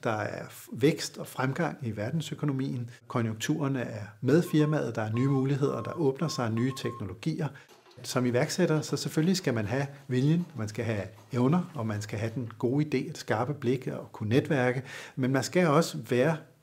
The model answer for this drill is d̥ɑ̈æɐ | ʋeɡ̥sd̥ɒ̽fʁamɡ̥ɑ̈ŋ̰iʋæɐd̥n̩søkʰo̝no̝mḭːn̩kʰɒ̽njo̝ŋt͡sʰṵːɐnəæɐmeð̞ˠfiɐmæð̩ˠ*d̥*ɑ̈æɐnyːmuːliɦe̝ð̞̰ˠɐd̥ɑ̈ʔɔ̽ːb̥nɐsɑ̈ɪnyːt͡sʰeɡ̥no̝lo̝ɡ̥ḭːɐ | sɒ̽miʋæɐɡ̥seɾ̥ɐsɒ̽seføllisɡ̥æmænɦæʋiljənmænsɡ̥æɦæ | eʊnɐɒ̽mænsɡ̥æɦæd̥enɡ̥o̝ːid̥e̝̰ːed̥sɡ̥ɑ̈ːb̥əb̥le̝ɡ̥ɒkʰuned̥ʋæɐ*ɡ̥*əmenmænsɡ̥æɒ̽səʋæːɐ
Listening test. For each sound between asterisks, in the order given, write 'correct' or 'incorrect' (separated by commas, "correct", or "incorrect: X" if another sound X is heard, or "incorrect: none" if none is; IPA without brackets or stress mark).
correct, correct